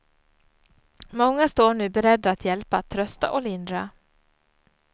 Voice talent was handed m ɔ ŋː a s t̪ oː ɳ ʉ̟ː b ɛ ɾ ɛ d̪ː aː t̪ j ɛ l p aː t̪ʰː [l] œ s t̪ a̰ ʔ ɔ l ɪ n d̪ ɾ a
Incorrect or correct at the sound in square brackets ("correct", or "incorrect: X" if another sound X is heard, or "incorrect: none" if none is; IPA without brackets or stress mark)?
incorrect: ɾ